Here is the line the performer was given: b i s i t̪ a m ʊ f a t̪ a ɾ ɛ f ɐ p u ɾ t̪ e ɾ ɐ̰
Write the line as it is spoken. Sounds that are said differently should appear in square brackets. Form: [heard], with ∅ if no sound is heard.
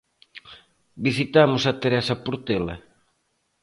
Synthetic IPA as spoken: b i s i t̪ a m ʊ [s] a t̪ [e] ɾ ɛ [s] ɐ p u ɾ t̪ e [l] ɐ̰